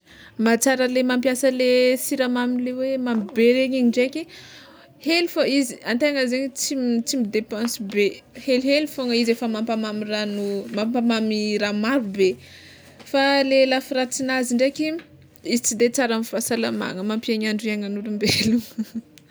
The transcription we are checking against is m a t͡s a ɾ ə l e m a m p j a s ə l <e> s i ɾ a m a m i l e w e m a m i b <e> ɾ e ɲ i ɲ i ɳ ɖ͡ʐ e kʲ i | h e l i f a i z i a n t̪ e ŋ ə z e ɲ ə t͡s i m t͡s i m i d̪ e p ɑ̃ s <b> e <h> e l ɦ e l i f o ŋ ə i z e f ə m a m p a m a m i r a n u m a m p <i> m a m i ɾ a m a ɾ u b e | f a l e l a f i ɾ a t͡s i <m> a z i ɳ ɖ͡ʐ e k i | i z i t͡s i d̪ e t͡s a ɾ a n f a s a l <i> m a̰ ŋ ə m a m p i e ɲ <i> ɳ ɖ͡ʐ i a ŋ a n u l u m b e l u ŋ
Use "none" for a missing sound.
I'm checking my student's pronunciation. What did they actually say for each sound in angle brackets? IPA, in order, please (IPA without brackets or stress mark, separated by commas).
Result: e, e, b, h, a, n, a, a